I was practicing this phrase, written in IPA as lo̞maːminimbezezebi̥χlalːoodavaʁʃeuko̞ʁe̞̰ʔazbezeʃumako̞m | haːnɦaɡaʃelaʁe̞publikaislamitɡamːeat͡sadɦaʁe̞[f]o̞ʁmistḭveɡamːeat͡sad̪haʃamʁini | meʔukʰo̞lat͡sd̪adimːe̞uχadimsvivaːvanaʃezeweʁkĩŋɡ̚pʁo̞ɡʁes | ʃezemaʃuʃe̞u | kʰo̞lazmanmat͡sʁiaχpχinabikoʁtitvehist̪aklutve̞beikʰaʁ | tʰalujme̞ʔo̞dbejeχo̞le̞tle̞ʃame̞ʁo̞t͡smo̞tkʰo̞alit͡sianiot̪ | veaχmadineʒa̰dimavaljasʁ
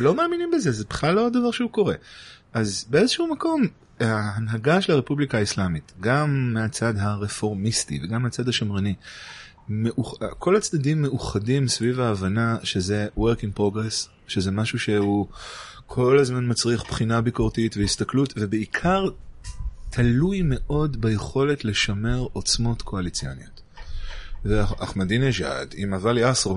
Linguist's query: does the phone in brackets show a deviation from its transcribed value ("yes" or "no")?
no